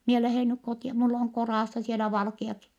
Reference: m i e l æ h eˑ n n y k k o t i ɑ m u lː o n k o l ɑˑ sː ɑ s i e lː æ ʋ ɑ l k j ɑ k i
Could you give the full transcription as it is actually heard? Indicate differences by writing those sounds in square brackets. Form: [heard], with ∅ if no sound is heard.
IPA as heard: m i e l æ h eˑ n n y k k o t i ɑ m u lː o [ŋ] k o [r] ɑˑ sː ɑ s i e [l] æ ʋ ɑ l k [i] ɑ k i

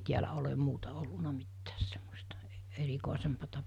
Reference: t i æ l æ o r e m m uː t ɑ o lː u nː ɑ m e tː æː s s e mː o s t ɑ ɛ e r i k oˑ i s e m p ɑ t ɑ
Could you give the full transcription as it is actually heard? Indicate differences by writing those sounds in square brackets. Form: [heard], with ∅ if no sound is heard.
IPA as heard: t i æ l æ o [l] e m m uː t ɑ o lː u [n] ɑ m [i] tː æː s s e mː o s t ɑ ɛ e r i k oˑ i s e m p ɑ t ɑ

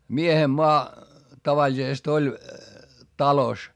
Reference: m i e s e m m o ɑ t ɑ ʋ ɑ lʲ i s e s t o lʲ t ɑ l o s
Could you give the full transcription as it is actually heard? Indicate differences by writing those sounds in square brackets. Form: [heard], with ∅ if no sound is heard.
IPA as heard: m i e [h] e m m o ɑ t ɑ ʋ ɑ lʲ i s e s t o lʲ t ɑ l o s

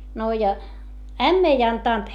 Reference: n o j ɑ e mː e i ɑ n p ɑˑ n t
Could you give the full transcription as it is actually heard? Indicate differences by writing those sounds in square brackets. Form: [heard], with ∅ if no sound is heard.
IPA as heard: n o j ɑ [æ] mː e i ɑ n [t] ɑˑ n t

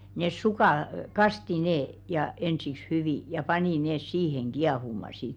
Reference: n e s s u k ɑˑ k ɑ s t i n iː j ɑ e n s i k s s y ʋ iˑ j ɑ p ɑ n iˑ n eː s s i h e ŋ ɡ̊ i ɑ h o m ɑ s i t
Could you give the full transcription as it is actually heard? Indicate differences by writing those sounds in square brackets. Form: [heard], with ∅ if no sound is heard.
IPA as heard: n e s s u k ɑˑ k ɑ s t i n [eː] j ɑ e n s i k s [h] y ʋ iˑ j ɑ p ɑ n iˑ n eː s s [iː] h e ŋ ɡ̊ i ɑ h [u] m ɑ s i t

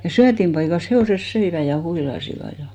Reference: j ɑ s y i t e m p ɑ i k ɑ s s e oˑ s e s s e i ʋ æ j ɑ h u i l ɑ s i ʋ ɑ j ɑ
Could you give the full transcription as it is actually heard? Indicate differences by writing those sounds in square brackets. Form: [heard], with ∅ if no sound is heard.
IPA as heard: j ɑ s y [æ] t [i] m p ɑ i k ɑ s [h] e oˑ s e s s [ø] i ʋ æ j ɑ h u i l ɑ s i ʋ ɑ j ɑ

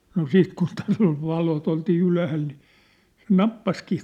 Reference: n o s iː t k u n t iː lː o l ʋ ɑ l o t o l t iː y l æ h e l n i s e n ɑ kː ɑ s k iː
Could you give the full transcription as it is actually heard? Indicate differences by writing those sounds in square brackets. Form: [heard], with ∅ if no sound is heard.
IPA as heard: n o s iː t k u n t [æː] lː o l ʋ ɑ l o t o l t iː y l æ h [æ] l n i s e n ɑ [pː] ɑ s k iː

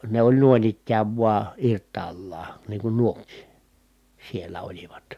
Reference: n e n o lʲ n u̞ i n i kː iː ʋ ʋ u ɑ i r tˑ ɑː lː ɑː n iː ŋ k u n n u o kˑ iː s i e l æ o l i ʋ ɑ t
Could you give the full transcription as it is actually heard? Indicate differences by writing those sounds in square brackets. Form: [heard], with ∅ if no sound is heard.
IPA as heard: n e [∅] o lʲ n u̞ i n i kː [æː] ʋ ʋ u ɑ i r tˑ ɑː lː ɑː n iː ŋ k u n n u o kˑ iː s i e [lː] æ o l i ʋ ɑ t

